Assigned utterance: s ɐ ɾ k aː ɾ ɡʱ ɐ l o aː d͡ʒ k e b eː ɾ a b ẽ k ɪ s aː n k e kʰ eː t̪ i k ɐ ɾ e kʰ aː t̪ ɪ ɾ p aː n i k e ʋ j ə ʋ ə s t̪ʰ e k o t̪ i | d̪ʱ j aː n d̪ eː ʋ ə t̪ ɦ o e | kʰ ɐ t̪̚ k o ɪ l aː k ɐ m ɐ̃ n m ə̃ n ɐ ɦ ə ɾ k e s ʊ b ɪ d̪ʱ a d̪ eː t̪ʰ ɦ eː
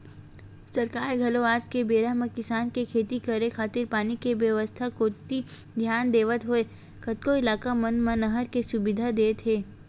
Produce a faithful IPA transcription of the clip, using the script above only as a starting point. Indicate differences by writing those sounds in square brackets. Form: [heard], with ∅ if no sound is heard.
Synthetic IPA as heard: s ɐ ɾ k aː ɾ ɡʱ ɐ l o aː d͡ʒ k e b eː ɾ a [m] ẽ k ɪ s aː n k e kʰ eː t̪ i k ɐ ɾ e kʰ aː t̪ ɪ ɾ p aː n i k e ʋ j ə ʋ ə s t̪ʰ [a] k o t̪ i | d̪ʱ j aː n d̪ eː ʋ ə t̪ ɦ o e | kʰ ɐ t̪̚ k o ɪ l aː k [a] m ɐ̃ n m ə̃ n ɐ ɦ ə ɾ k e s ʊ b ɪ d̪ʱ a d̪ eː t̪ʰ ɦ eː